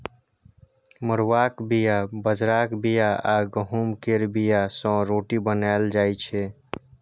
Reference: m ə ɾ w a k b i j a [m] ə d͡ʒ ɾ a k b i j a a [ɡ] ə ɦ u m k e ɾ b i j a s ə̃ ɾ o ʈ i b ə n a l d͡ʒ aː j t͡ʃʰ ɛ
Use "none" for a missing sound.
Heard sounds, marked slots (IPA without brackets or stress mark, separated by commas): b, ɡ